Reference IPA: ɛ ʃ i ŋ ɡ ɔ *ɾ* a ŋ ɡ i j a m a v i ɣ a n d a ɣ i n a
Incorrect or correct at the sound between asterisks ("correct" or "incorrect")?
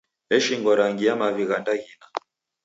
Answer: correct